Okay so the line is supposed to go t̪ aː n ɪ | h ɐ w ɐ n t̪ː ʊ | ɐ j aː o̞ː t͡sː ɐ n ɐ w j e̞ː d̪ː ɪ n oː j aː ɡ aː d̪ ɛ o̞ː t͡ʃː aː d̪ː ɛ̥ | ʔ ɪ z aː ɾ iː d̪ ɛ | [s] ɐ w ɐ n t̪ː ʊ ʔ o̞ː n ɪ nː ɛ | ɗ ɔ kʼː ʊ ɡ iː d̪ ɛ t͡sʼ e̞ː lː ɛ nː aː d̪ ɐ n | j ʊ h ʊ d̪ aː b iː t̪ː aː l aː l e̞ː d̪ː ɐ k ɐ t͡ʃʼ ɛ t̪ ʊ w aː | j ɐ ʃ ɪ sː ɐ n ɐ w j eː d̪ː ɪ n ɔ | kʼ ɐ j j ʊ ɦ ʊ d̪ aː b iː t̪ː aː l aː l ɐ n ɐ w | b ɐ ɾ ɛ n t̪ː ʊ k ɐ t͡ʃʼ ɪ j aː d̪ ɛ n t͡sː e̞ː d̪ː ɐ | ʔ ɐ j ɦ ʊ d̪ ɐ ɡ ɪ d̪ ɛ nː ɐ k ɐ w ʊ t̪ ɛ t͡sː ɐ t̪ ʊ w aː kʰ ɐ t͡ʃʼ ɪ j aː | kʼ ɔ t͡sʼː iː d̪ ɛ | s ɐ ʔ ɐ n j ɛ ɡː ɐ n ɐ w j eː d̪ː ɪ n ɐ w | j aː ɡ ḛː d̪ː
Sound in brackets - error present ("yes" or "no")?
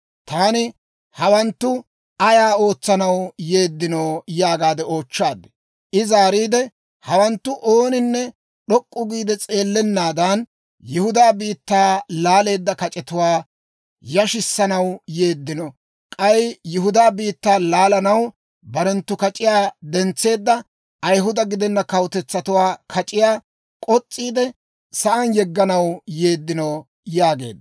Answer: yes